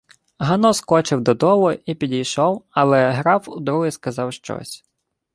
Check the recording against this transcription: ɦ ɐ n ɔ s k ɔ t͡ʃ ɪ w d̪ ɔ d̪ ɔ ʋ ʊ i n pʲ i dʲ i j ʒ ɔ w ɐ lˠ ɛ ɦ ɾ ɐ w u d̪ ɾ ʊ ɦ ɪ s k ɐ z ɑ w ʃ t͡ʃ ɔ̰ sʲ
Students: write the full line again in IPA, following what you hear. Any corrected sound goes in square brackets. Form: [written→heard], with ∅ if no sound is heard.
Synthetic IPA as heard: ɦ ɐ n ɔ s k ɔ t͡ʃ ɪ w d̪ ɔ d̪ ɔ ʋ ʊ i [n→∅] pʲ i dʲ i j [ʒ→ʃ] ɔ w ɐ lˠ ɛ ɦ ɾ [ɐ→ɑ] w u d̪ ɾ [ʊ→u] ɦ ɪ s k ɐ z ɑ w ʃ t͡ʃ ɔ̰ sʲ